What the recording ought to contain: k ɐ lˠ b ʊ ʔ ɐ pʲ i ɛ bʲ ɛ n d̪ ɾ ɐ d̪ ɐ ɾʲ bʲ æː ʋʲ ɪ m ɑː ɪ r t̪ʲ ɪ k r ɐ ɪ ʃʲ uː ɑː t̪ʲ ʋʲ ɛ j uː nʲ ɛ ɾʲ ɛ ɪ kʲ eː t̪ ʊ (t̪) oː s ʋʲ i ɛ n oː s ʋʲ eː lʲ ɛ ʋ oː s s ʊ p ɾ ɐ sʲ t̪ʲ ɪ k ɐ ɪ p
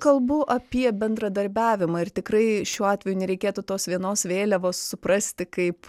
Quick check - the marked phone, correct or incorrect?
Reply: correct